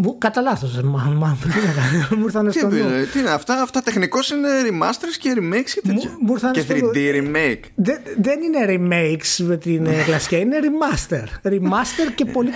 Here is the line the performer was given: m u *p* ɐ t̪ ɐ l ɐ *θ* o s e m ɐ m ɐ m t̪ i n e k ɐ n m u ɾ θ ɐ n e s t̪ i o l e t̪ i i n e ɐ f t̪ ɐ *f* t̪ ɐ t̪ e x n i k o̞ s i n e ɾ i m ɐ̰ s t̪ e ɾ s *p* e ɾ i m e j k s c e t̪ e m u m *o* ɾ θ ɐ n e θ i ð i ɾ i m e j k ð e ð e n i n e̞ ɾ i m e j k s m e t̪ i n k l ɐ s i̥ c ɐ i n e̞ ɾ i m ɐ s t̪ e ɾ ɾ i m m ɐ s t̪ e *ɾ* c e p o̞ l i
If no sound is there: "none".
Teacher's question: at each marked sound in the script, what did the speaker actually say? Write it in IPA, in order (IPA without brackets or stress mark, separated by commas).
k, θ, f, c, u, ɾ